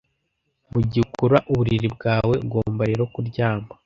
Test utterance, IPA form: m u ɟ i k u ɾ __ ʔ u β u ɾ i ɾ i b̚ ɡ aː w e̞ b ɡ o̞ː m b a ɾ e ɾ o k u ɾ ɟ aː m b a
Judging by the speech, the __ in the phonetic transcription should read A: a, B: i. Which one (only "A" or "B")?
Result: A